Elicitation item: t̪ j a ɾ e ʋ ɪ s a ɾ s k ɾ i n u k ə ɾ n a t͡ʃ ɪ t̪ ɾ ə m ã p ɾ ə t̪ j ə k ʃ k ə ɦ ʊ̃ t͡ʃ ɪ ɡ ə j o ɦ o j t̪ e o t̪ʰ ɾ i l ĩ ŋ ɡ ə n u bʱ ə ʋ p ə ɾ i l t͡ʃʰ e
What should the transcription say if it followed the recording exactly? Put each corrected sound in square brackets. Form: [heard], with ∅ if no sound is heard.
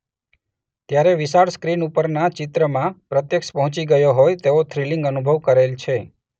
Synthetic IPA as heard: t̪ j a ɾ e ʋ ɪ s a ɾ s k ɾ i n u [p] ə ɾ n a t͡ʃ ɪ t̪ ɾ ə m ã p ɾ ə t̪ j ə k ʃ [p] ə ɦ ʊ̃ t͡ʃ [i] ɡ ə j o ɦ o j t̪ e o t̪ʰ ɾ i l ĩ ŋ ɡ ə n u bʱ ə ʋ [k] ə ɾ [e] l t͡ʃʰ e